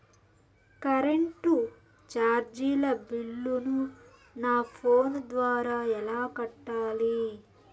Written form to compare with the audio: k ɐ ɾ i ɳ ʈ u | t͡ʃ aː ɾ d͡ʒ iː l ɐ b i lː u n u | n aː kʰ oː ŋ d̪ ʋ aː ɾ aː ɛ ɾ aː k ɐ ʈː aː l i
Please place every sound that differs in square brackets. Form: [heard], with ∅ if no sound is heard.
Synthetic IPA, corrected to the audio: k ɐ ɾ [e] ɳ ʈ u | t͡ʃ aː ɾ d͡ʒ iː l ɐ b i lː u n u | n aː [pʰ] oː [n] d̪ ʋ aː ɾ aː ɛ [l] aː k ɐ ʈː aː l i